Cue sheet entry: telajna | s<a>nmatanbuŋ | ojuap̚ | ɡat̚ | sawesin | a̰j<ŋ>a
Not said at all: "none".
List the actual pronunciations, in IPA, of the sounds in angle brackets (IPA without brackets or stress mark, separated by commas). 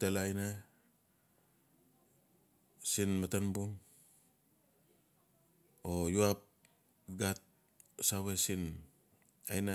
i, n